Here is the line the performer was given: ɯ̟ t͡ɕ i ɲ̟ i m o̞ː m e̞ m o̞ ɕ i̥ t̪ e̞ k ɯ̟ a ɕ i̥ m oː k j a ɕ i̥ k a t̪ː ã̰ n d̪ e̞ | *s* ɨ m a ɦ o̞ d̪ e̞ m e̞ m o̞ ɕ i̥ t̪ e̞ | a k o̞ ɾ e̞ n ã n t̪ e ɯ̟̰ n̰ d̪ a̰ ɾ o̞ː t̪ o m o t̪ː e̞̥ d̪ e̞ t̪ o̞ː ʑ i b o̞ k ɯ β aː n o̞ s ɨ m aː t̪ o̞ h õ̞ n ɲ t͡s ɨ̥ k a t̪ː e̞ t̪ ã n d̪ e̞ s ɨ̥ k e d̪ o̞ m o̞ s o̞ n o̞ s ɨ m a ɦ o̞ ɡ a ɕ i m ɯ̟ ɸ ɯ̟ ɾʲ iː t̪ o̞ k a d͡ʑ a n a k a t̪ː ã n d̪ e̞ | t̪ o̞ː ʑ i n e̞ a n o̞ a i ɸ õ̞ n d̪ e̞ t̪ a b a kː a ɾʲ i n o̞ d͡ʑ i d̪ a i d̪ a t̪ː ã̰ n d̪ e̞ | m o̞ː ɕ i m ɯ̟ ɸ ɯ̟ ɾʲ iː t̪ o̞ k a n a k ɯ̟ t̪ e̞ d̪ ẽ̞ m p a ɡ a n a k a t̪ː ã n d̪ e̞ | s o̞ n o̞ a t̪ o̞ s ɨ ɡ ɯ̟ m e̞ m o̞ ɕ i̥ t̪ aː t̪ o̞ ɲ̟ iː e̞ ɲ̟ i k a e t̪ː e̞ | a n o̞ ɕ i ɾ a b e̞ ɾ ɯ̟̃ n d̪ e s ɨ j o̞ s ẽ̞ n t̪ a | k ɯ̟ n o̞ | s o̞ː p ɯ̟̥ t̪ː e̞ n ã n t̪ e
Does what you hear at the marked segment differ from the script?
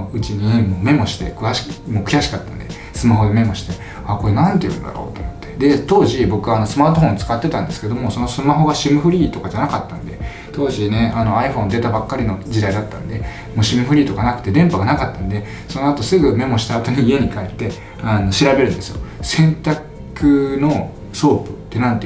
no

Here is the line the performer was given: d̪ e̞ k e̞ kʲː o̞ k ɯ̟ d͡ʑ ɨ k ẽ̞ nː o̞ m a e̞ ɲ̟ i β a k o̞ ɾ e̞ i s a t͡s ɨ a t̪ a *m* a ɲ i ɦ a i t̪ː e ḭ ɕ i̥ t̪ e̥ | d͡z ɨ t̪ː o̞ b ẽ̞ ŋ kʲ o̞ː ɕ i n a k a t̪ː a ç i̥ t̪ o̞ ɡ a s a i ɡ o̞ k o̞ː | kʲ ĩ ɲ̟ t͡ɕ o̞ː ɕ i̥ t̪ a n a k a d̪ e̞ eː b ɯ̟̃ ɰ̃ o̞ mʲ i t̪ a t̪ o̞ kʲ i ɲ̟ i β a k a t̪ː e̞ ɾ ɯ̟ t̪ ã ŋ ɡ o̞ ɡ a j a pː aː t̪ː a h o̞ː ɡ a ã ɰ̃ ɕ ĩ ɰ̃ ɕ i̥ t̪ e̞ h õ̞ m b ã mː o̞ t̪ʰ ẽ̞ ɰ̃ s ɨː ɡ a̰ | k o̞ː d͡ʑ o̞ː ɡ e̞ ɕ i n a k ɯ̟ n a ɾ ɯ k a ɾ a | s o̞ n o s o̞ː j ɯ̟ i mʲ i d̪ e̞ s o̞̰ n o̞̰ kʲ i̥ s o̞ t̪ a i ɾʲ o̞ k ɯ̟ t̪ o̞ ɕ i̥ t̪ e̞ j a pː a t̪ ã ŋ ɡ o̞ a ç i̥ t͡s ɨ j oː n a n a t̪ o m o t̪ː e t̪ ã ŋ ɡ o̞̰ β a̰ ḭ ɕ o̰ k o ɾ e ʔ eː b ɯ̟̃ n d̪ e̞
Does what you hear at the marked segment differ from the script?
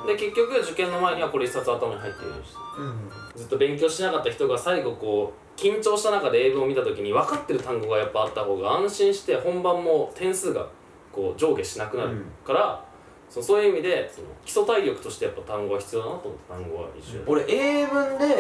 no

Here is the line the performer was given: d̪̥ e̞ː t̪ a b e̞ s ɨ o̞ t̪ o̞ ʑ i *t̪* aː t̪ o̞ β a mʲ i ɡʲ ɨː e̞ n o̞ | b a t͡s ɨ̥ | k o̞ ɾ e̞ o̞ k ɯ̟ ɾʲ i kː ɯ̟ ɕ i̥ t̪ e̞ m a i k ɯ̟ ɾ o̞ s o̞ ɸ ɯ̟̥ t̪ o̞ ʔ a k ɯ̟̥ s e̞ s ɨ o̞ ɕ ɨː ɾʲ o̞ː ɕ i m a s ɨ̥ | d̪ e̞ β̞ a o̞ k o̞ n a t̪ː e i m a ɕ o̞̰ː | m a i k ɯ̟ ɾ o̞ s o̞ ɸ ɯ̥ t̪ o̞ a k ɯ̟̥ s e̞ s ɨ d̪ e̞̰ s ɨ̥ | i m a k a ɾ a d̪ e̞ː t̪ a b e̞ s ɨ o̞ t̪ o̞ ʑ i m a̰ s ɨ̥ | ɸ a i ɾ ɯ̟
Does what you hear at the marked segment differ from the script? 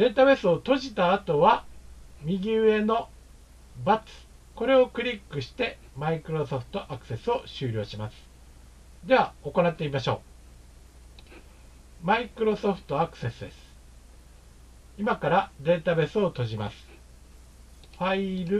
no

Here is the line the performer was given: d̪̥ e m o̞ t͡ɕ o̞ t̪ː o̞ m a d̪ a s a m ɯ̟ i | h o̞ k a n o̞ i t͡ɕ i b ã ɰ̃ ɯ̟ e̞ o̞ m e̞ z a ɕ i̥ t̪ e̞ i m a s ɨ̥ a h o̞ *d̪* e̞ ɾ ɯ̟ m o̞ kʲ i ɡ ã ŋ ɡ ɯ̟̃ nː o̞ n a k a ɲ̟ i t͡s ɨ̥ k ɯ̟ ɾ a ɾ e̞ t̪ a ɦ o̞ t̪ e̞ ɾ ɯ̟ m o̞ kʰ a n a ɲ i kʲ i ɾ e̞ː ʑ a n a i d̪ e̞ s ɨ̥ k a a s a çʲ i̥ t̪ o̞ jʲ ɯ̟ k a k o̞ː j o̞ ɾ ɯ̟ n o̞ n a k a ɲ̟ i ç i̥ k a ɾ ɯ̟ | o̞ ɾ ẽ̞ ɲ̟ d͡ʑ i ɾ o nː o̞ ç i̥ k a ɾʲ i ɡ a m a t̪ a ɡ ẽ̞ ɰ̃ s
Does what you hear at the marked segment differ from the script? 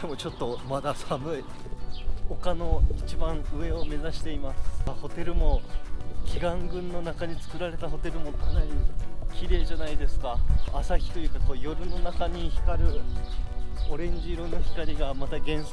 yes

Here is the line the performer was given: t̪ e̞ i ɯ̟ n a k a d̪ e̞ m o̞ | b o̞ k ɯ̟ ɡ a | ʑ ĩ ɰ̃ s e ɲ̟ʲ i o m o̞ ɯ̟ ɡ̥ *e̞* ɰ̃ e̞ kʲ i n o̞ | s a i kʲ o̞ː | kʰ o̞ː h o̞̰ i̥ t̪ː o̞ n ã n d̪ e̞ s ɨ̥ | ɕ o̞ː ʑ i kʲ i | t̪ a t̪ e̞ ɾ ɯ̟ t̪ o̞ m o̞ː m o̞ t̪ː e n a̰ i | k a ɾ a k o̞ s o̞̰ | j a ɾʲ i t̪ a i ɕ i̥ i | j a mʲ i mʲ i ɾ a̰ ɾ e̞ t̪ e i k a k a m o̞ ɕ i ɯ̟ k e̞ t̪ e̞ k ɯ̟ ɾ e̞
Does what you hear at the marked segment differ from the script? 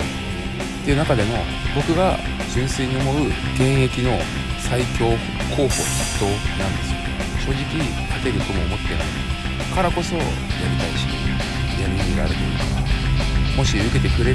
yes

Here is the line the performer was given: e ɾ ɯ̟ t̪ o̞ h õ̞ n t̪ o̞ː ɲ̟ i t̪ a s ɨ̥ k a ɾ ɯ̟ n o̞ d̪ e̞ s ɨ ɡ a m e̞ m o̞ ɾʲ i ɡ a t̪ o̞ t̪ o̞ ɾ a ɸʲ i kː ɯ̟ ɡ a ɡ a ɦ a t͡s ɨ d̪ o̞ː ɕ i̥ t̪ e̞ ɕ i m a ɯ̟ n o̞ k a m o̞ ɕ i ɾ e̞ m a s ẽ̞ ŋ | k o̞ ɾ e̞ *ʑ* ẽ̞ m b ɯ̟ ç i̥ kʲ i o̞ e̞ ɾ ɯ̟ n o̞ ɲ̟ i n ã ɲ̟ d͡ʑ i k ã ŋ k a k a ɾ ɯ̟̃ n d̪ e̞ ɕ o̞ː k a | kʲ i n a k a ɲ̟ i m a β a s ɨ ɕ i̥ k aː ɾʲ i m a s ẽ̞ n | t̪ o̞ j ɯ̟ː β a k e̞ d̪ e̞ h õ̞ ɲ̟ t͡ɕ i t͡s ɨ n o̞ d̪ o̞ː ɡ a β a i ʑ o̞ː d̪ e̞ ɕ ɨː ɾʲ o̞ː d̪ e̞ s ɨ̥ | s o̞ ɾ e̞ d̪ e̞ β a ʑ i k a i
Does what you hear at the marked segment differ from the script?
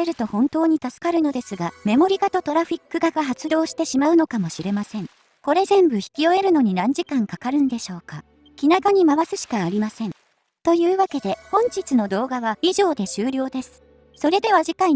yes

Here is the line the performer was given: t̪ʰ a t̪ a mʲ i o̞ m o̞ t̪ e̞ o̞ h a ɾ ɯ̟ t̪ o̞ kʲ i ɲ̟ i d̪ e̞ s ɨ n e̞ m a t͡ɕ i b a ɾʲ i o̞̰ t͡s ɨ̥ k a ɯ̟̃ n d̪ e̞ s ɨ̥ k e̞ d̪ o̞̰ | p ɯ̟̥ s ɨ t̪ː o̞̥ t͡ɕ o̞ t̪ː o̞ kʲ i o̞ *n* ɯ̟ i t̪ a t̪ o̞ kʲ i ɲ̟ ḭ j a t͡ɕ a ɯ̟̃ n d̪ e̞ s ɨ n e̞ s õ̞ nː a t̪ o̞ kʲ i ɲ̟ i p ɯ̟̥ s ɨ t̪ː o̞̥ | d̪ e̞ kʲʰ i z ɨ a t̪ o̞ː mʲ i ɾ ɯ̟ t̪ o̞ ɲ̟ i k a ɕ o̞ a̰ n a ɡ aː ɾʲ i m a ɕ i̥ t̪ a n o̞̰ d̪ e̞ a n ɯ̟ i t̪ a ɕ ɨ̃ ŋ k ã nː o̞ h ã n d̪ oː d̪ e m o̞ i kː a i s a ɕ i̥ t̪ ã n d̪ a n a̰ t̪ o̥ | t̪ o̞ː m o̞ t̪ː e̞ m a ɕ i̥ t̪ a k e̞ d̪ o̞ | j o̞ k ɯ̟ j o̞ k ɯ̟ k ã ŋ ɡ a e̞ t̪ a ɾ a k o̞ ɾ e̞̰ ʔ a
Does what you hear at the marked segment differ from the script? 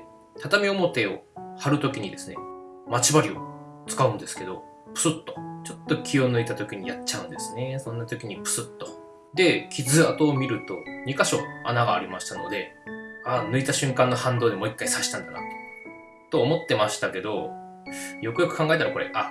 no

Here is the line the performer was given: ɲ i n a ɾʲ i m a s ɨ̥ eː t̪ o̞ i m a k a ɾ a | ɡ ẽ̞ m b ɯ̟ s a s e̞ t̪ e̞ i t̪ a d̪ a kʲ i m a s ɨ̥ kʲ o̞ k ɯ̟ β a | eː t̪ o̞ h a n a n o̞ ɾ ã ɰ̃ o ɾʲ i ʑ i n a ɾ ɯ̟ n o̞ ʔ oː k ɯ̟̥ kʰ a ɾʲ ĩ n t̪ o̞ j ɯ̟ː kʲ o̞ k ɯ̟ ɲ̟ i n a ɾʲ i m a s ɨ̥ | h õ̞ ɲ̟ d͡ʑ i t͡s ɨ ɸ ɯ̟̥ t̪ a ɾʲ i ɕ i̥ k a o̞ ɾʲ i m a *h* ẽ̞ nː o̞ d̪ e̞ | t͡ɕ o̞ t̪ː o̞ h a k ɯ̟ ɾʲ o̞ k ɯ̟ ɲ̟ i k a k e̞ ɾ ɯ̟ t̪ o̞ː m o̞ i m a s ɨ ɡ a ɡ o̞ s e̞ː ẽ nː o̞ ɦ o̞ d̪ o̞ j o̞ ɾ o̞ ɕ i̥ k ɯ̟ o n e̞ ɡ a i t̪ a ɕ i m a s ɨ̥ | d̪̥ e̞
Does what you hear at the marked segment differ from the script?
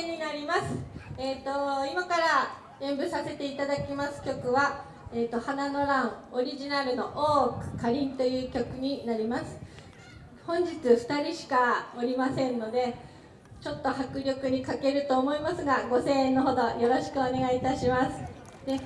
yes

